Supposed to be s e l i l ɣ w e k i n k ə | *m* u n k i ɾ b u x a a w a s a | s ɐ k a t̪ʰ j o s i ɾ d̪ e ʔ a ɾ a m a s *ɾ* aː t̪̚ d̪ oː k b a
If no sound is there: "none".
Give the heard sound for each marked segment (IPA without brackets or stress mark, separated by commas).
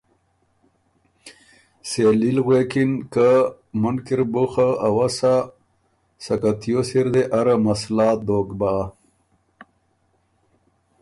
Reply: m, l